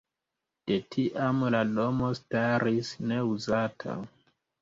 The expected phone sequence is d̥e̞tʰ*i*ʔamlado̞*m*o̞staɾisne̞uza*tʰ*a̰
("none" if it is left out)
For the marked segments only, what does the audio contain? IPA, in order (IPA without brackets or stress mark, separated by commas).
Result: i, m, tʰ